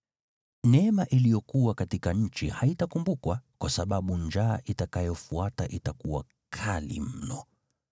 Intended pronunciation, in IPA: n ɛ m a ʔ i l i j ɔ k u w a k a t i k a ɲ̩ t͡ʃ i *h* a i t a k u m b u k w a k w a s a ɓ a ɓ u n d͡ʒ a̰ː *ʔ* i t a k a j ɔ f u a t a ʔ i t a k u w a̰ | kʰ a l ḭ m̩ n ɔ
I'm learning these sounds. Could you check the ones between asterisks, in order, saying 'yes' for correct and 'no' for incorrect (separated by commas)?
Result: yes, yes